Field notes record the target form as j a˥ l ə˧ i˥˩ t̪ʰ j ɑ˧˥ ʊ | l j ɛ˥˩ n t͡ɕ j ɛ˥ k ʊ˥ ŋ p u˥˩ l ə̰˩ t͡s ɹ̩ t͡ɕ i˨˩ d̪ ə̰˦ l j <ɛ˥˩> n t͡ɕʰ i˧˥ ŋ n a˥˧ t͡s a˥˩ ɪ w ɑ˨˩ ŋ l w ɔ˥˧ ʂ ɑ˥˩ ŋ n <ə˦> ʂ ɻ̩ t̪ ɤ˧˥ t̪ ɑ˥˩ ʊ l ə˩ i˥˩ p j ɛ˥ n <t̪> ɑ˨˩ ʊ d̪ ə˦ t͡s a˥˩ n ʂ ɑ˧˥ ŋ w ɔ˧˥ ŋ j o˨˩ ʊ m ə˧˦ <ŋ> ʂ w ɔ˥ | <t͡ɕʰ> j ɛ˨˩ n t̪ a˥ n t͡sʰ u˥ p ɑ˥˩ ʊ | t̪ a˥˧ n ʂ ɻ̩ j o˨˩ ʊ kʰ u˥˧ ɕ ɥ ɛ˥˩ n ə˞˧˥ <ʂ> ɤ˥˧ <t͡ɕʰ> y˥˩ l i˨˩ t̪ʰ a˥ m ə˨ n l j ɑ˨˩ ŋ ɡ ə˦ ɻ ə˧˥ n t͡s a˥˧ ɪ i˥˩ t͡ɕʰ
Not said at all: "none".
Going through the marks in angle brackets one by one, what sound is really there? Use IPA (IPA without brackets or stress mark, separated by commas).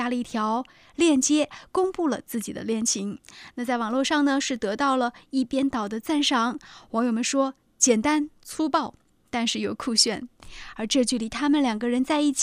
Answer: ɛ˥˩, ə˩, t̪, n, t͡ɕ, ʈ͡ʂ, t͡ɕ